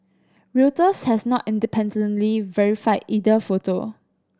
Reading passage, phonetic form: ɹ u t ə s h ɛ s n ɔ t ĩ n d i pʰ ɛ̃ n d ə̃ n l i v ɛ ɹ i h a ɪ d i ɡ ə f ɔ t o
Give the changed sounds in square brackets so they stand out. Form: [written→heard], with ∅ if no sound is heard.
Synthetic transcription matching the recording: ɹ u t ə s h ɛ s n ɔ t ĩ n d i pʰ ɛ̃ n d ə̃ n l i v ɛ ɹ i [h→f] a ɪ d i [ɡ→d] ə f [ɔ→o] t o